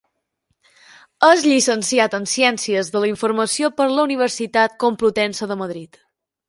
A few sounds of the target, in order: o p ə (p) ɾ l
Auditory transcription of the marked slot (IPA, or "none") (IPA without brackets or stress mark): none